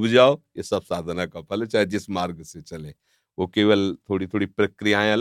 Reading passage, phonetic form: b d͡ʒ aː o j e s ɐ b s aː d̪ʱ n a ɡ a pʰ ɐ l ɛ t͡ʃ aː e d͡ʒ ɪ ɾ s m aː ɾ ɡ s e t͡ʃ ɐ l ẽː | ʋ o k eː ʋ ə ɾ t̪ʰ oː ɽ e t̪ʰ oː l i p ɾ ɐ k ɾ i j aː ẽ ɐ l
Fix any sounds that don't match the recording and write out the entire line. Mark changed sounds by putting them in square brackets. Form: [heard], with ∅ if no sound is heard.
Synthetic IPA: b d͡ʒ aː o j e s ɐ b s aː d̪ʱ n a [k] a pʰ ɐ l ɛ t͡ʃ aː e d͡ʒ ɪ [∅] s m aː ɾ ɡ s e t͡ʃ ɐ l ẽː | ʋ o k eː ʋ ə [l] t̪ʰ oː ɽ [i] t̪ʰ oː [ɽ] i p ɾ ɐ k ɾ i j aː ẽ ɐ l